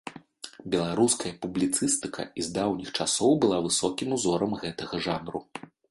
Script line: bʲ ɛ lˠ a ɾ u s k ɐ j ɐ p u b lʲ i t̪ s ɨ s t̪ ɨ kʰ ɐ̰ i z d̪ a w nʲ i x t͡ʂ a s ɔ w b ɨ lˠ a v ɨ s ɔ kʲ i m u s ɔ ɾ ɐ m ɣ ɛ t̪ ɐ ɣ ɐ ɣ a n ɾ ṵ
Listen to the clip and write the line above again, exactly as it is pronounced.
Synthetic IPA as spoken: bʲ ɛ lˠ a ɾ u s k ɐ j ɐ p u b lʲ i t̪ s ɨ s t̪ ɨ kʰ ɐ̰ i z d̪ a w nʲ i x t͡ʂ a s ɔ w b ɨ lˠ a v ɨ s ɔ kʲ i m u z ɔ ɾ ɐ m ɣ ɛ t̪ ɐ ɣ ɐ ʐ a n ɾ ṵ